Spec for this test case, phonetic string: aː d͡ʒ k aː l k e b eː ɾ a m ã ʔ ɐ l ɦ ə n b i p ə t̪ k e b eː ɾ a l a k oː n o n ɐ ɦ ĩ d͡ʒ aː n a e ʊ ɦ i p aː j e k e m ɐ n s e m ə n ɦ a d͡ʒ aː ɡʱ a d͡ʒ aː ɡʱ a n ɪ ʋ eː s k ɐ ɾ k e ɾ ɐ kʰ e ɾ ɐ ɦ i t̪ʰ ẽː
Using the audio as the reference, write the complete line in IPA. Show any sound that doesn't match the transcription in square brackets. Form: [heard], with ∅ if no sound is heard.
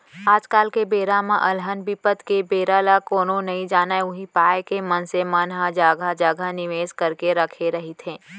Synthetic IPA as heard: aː d͡ʒ k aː l k e b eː ɾ a m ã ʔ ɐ l ɦ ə n b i p ə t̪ k e b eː ɾ a l a k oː n o n ɐ ɦ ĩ d͡ʒ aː n a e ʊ ɦ i p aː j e k e m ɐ n s e m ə n ɦ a d͡ʒ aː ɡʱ a d͡ʒ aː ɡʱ a n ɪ ʋ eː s k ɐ ɾ k e ɾ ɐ kʰ e ɾ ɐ ɦ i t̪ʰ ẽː